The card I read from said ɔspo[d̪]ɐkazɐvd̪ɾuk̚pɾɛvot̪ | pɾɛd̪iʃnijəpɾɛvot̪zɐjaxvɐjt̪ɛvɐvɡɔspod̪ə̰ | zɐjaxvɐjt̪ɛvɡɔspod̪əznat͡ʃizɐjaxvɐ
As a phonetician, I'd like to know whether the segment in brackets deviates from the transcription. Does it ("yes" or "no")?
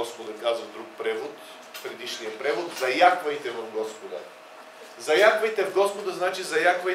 no